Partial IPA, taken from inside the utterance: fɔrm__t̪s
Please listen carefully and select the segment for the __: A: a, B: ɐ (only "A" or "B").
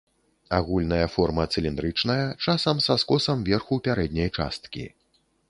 B